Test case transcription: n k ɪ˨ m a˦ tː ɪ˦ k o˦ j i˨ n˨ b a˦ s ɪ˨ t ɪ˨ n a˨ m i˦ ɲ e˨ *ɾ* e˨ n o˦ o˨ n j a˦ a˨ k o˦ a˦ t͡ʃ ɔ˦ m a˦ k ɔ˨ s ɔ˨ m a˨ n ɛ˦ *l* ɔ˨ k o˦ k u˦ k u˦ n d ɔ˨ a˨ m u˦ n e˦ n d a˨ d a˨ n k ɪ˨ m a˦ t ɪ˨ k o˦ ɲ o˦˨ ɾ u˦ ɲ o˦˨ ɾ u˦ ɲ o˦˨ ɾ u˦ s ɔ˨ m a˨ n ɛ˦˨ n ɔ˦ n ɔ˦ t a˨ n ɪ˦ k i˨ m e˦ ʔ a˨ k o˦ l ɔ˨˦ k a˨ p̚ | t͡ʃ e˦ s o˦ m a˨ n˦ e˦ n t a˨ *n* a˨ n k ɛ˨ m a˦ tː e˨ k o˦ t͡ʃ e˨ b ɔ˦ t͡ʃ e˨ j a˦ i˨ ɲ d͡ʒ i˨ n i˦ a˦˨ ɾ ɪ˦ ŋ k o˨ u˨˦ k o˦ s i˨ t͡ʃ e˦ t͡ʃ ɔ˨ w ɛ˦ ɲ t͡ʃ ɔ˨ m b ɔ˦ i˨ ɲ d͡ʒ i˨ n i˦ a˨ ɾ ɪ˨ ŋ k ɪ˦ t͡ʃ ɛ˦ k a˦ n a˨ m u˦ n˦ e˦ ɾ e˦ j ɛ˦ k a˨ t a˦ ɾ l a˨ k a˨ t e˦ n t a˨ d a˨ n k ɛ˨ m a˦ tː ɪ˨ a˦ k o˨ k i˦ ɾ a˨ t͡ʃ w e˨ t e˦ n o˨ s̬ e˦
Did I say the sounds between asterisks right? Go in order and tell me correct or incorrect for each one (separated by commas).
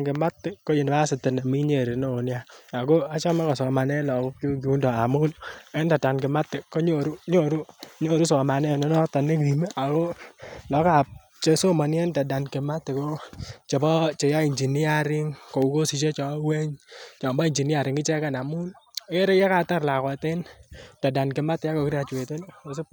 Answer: correct, correct, incorrect